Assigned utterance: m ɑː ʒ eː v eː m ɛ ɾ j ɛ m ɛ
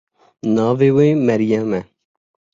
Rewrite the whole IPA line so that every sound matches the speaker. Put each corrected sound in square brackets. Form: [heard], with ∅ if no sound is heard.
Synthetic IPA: [n] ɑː [v] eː [w] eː m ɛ ɾ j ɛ m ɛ

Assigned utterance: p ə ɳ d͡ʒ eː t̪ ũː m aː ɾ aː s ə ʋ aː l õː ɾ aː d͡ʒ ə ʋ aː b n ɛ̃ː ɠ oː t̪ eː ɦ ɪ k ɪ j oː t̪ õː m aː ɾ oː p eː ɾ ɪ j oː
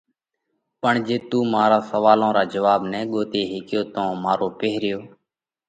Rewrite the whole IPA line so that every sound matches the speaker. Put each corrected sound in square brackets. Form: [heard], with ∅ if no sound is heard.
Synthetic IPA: p ə ɳ d͡ʒ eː t̪ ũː m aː ɾ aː s ə ʋ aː l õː ɾ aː d͡ʒ ə ʋ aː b n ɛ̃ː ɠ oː t̪ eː ɦ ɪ k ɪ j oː t̪ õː m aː ɾ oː p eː ɾ ɪ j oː

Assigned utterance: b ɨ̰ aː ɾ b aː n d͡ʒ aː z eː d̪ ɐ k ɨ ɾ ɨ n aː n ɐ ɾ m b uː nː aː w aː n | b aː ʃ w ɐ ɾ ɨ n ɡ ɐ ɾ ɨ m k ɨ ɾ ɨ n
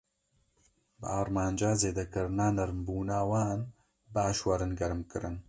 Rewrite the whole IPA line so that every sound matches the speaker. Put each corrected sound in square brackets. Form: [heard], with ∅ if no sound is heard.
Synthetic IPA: b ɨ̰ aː ɾ [m] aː n d͡ʒ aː z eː d̪ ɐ k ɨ ɾ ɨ n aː n ɐ ɾ m b uː [n] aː w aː n | b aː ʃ w ɐ ɾ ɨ n ɡ ɐ ɾ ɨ m k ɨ ɾ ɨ n

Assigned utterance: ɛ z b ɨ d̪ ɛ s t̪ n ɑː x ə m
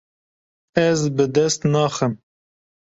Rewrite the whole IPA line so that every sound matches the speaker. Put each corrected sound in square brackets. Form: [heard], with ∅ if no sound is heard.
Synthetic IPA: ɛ z b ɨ d̪ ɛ s t̪ n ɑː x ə m

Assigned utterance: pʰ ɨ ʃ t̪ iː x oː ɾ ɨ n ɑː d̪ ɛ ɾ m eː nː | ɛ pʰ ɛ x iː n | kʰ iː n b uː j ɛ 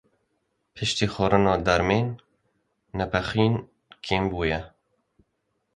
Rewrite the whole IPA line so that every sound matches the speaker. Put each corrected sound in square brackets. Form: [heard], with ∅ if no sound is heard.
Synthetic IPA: pʰ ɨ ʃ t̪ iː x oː ɾ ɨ n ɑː d̪ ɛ ɾ m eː nː | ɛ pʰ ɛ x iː n | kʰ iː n b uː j ɛ

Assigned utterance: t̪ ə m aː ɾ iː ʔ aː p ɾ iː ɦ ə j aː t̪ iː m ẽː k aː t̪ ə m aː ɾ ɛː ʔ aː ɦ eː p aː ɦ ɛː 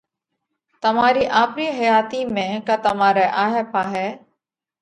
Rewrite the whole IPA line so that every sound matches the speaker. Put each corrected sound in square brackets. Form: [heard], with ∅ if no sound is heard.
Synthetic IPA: t̪ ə m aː ɾ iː ʔ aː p ɾ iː ɦ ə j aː t̪ iː m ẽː k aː t̪ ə m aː ɾ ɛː ʔ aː ɦ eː p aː ɦ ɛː

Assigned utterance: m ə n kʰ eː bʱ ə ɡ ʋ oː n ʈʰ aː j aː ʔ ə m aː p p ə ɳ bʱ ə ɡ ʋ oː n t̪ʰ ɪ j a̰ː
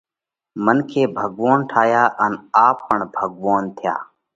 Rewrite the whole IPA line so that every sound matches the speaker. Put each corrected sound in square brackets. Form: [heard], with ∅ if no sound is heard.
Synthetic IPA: m ə n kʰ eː bʱ ə ɡ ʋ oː n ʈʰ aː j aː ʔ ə [n] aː p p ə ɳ bʱ ə ɡ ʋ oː n t̪ʰ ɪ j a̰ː

